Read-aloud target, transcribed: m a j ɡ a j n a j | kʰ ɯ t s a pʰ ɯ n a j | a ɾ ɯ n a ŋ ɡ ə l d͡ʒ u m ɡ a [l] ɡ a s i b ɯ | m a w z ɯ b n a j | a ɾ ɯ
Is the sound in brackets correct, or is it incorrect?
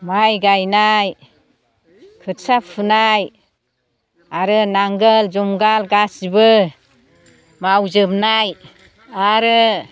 correct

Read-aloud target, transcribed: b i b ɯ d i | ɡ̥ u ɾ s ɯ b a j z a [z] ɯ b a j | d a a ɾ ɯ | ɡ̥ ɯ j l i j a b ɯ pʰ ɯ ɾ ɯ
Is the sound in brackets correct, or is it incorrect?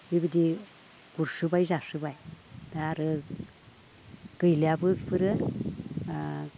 incorrect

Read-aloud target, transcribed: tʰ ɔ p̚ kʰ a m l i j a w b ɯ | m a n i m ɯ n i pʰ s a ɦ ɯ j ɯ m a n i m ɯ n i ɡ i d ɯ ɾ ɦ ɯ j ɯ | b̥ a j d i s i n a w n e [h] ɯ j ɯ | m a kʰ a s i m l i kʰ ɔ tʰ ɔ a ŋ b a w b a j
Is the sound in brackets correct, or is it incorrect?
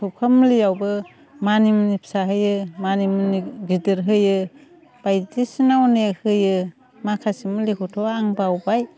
correct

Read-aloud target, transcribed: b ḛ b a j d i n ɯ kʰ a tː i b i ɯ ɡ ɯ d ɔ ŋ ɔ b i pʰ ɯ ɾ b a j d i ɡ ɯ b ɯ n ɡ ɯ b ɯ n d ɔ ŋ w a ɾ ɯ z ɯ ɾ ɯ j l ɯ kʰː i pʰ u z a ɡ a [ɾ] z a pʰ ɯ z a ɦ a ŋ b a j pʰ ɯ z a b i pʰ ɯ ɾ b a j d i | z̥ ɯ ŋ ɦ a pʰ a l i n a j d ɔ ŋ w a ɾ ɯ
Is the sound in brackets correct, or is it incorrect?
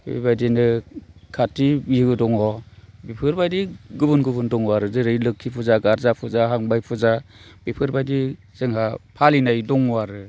correct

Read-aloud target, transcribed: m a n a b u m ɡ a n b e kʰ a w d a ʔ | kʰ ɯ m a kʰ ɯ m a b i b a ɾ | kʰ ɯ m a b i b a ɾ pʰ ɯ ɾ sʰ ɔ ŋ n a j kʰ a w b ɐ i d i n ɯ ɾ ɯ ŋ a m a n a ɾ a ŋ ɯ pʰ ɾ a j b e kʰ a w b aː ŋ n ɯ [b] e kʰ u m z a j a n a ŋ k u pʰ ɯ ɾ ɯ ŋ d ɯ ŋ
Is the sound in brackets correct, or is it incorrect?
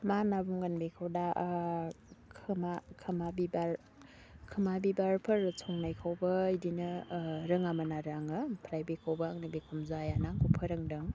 correct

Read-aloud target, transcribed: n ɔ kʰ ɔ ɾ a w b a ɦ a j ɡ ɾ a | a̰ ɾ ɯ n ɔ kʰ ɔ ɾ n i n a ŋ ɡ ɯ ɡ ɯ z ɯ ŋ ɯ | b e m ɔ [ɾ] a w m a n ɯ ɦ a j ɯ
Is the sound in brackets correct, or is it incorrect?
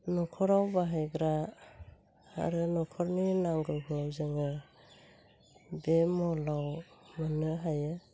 incorrect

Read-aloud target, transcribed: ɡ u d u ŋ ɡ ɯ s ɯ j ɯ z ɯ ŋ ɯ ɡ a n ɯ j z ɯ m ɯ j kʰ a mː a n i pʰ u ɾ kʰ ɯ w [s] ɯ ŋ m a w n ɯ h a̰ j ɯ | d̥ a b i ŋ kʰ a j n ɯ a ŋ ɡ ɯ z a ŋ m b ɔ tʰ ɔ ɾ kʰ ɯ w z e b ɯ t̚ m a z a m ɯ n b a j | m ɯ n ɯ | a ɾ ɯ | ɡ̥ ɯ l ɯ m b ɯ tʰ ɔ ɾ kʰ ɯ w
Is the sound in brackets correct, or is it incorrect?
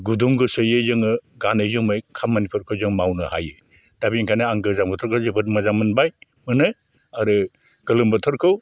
incorrect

